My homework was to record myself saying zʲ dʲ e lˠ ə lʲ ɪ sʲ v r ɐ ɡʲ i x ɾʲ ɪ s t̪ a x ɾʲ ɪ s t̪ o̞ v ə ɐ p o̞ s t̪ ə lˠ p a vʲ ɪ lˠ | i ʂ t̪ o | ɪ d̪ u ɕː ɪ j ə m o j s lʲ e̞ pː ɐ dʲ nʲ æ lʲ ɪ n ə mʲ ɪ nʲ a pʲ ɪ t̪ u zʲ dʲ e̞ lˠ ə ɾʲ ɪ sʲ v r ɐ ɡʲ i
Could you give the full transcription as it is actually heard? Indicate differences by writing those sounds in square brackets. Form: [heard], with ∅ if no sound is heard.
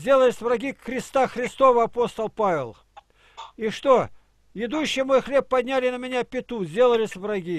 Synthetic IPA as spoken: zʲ dʲ e lˠ ə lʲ ɪ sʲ v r ɐ ɡʲ i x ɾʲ ɪ s t̪ a x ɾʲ ɪ s t̪ o̞ v ə ɐ p o̞ s t̪ ə lˠ p a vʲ ɪ lˠ | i ʂ t̪ o | ɪ d̪ u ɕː ɪ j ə m o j [x] lʲ e̞ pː ɐ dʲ nʲ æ lʲ ɪ n ə mʲ ɪ nʲ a pʲ ɪ t̪ u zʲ dʲ e̞ lˠ ə [lʲ] ɪ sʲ v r ɐ ɡʲ i